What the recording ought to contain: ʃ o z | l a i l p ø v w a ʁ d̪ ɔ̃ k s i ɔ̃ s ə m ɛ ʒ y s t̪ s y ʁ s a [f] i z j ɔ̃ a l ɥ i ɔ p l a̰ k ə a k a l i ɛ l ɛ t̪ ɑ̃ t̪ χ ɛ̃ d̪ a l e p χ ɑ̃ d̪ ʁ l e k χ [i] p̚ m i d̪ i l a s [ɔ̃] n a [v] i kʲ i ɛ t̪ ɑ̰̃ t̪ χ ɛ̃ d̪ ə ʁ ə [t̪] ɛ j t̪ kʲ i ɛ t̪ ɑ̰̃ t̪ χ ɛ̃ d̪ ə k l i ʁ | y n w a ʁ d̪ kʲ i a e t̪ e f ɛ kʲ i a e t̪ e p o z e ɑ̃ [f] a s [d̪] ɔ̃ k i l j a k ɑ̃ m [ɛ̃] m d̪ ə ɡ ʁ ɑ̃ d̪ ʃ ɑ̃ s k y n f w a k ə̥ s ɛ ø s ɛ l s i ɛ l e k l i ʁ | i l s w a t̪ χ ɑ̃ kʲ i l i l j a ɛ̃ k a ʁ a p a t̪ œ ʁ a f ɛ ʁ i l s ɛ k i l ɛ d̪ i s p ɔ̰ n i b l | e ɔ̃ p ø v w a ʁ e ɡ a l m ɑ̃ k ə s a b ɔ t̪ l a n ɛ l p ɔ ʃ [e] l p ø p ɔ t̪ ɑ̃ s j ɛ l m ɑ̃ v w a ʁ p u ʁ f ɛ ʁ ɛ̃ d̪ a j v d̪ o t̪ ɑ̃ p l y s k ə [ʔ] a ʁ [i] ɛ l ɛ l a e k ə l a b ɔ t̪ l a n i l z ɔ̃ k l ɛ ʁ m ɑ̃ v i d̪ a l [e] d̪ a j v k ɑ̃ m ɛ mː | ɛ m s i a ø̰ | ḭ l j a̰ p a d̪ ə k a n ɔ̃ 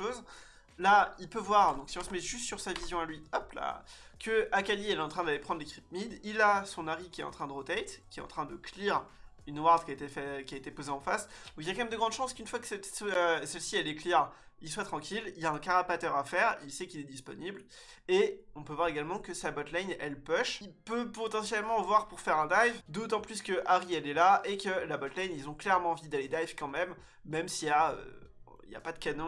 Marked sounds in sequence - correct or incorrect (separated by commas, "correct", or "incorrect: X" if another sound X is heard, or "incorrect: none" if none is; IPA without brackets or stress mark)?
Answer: incorrect: v, correct, correct, incorrect: ʁ, correct, correct, correct, incorrect: ɛ, incorrect: i, correct, correct, correct